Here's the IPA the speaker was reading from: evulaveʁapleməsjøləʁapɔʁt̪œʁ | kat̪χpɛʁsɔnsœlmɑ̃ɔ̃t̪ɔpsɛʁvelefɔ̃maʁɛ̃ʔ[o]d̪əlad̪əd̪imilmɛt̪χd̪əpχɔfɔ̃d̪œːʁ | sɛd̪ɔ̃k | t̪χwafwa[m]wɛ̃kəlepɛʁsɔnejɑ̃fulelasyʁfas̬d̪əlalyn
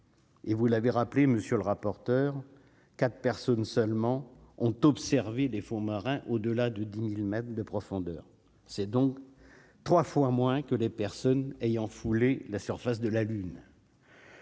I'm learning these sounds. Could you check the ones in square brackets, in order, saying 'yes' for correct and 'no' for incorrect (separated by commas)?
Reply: yes, yes